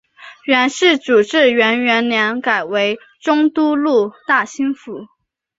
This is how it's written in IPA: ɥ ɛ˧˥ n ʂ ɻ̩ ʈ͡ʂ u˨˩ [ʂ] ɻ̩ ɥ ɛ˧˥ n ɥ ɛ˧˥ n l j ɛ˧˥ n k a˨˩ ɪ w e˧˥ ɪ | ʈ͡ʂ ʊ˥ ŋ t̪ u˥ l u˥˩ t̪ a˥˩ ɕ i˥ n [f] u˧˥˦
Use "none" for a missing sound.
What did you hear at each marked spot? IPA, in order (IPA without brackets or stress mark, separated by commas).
ʈ͡ʂ, f